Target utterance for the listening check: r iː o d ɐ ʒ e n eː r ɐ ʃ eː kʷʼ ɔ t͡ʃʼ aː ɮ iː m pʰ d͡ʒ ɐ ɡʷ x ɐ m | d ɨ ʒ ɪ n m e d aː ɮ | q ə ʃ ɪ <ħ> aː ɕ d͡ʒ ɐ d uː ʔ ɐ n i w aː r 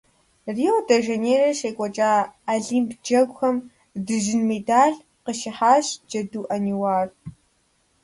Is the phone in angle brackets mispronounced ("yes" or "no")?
no